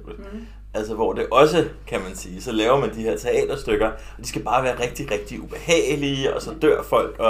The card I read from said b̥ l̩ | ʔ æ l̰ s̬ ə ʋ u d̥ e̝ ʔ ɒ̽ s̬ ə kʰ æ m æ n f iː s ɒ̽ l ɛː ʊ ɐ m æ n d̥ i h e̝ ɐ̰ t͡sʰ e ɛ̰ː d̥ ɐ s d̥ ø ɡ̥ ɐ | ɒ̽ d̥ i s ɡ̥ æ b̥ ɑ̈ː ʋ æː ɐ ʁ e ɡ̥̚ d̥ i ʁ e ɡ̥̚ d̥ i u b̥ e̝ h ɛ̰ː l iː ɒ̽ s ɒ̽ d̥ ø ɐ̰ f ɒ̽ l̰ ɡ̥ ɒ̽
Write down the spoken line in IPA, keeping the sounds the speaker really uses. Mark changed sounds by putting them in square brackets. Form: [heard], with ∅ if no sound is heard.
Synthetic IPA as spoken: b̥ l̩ | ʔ æ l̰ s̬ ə ʋ [ɒ] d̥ e̝ ʔ ɒ̽ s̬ ə kʰ æ m æ n [s] iː s ɒ̽ l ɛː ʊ ɐ m æ n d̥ i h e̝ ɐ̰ t͡sʰ e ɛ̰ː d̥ ɐ s d̥ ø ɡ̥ ɐ | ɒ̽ d̥ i s ɡ̥ æ b̥ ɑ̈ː ʋ æː ɐ ʁ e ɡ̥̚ d̥ i ʁ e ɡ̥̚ d̥ i u b̥ e̝ h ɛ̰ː l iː ɒ̽ s ɒ̽ d̥ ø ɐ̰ f ɒ̽ l̰ ɡ̥ ɒ̽